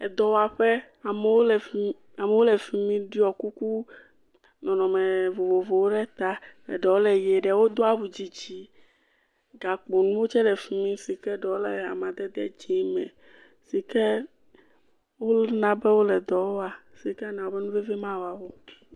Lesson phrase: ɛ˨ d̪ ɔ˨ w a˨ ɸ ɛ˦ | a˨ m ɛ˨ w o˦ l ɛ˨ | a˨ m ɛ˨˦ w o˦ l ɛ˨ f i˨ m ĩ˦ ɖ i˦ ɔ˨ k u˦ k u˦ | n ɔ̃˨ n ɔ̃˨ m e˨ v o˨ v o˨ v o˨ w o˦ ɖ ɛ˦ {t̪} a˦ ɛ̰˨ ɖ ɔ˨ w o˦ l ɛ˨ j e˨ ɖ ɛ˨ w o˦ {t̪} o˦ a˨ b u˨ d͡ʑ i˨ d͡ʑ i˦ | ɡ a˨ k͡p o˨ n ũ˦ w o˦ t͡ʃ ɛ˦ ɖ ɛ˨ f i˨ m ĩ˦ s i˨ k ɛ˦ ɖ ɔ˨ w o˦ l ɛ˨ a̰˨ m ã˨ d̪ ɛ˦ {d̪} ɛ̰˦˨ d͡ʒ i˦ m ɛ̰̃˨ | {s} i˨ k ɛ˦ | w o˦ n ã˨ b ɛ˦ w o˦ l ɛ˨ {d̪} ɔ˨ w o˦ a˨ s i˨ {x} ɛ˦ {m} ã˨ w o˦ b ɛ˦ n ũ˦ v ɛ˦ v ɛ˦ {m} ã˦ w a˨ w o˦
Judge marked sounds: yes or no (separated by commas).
yes, no, yes, yes, yes, no, no, yes